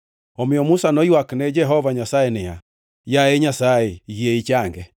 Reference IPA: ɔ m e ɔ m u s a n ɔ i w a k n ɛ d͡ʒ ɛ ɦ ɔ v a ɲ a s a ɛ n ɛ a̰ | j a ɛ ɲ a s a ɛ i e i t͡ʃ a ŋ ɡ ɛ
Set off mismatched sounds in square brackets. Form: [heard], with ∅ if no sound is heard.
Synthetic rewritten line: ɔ m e ɔ m u s a n ɔ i w a k n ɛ d͡ʒ ɛ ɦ ɔ v a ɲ a s a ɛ n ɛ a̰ | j a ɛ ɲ a s a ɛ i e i t͡ʃ a ŋ ɡ ɛ

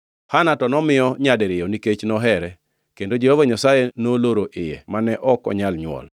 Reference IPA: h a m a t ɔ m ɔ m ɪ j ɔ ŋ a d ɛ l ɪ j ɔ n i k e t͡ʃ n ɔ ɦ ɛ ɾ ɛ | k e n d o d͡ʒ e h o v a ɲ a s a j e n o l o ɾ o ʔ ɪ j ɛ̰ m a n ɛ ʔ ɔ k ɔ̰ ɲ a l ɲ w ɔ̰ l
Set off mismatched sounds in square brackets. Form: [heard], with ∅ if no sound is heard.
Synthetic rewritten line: h a [n] a t ɔ [n] ɔ m ɪ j ɔ [ɲ] a d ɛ [ɾ] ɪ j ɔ n i k e t͡ʃ n ɔ ɦ ɛ ɾ ɛ | k e n d o d͡ʒ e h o v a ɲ a s a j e n o l o ɾ o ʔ ɪ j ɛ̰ m a n ɛ ʔ ɔ k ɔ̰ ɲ a l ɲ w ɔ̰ l

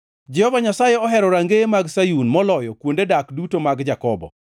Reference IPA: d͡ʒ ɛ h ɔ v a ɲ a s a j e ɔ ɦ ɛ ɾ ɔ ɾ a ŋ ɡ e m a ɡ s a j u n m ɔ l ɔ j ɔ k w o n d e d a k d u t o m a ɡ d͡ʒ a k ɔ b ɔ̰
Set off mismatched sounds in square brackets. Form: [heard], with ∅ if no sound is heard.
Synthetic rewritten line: d͡ʒ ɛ h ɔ v a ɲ a s a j e ɔ ɦ ɛ ɾ ɔ ɾ a ŋ ɡ e m a ɡ s a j u n m ɔ l ɔ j ɔ k w o n d e d a k d u t o m a ɡ d͡ʒ a k ɔ b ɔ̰

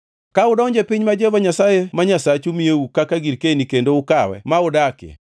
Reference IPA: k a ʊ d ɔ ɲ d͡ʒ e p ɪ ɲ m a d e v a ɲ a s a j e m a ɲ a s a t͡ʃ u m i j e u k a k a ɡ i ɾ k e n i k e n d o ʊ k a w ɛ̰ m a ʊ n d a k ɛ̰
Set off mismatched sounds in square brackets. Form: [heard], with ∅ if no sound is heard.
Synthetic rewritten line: k a ʊ d ɔ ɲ d͡ʒ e p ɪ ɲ m a [d͡ʒ] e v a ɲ a s a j e m a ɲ a s a t͡ʃ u m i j e u k a k a ɡ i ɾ k e n i k e n d o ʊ k a w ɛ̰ m a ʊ [∅] d a k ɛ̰

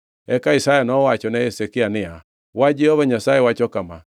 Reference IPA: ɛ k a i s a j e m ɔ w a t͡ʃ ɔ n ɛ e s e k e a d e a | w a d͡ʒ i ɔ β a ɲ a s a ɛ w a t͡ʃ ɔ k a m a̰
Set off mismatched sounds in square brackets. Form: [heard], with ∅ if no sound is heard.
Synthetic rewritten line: ɛ k a i s a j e [n] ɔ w a t͡ʃ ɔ n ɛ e s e k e a [n] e a | w a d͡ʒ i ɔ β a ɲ a s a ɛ w a t͡ʃ ɔ k a m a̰

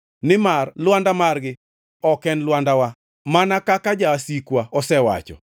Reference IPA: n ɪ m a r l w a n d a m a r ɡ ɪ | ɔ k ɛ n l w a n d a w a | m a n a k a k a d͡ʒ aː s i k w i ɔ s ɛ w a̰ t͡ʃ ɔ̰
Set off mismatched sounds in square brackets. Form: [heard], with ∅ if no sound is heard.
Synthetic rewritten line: n ɪ m a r l w a n d a m a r ɡ ɪ | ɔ k ɛ n l w a n d a w a | m a n a k a k a d͡ʒ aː s i k w [a] ɔ s ɛ w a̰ t͡ʃ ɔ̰

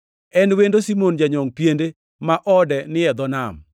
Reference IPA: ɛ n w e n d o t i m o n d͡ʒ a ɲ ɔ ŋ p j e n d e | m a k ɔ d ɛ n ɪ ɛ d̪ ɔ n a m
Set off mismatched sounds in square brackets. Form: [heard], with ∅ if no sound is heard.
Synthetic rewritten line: ɛ n w e n d o [s] i m o n d͡ʒ a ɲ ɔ ŋ p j e n d e | m a [ʔ] ɔ d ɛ n ɪ ɛ d̪ ɔ n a m

